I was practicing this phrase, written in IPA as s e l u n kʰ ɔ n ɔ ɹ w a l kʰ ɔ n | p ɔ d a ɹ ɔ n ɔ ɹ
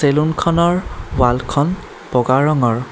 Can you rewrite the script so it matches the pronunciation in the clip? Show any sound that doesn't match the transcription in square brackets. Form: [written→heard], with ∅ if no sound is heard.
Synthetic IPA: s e l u n kʰ ɔ n ɔ ɹ w a l kʰ ɔ n | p ɔ [d→ɡ] a ɹ ɔ [n→ŋ] ɔ ɹ